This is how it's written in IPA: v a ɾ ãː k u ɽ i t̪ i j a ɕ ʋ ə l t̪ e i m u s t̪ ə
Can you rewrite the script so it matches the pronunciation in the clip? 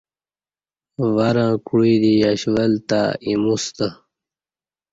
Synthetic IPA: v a ɾ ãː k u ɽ i d̪ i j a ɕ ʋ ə l t̪ a i m u s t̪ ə